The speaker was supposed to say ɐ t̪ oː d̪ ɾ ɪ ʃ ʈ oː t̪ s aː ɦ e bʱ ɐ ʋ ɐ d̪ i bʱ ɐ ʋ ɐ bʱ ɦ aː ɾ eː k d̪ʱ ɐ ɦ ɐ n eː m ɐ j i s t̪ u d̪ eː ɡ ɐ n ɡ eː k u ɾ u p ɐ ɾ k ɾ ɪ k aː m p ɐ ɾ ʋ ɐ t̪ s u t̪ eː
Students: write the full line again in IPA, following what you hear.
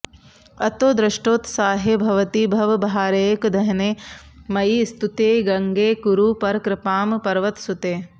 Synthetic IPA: ɐ t̪ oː d̪ ɾ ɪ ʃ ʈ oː t̪ s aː ɦ e bʱ ɐ ʋ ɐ t̪ i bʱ ɐ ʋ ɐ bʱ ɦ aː ɾ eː k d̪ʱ ɐ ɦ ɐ n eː m ɐ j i s t̪ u t̪ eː ɡ ɐ ŋ ɡ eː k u ɾ u p ɐ ɾ k ɾ ɪ p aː m p ɐ ɾ ʋ ɐ t̪ s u t̪ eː